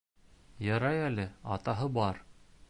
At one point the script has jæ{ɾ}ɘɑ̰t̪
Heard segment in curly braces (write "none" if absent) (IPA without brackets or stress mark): l